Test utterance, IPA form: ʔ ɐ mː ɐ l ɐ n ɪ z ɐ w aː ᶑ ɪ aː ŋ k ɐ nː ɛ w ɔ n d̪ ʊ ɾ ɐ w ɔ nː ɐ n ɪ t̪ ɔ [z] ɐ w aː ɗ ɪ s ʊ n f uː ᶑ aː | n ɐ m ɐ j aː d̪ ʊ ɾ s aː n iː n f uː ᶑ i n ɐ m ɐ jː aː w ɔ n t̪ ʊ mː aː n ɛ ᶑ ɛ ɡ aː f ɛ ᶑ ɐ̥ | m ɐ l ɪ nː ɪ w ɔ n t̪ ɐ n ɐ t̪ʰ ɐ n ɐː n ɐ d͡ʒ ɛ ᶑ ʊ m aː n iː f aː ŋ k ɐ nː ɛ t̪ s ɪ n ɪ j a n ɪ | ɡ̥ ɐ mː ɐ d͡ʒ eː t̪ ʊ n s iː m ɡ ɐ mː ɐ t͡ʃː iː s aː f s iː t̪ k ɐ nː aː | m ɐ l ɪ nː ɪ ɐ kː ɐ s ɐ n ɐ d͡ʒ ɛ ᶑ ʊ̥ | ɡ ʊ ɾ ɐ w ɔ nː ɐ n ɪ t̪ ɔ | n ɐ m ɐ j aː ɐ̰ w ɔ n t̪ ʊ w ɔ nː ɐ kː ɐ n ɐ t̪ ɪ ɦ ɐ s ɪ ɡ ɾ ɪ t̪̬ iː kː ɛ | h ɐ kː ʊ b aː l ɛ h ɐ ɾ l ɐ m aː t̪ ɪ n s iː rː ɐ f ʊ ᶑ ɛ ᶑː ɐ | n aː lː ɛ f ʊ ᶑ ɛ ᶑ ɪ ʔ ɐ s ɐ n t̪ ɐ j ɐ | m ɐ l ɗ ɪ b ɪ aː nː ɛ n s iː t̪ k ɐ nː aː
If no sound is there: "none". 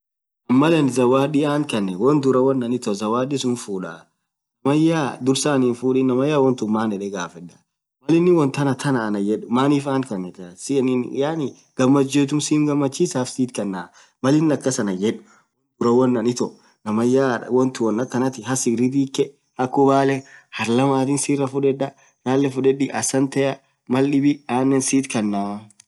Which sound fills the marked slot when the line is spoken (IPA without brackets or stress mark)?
z